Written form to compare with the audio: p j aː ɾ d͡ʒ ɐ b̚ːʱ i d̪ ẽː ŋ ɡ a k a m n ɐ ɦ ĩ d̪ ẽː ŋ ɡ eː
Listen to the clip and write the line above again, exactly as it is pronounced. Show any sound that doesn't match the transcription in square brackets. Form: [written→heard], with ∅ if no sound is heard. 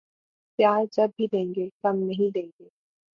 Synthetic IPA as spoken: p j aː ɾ d͡ʒ ɐ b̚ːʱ i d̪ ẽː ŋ ɡ [a→e] k [a→ɐ] m n ɐ ɦ ĩ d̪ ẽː ŋ ɡ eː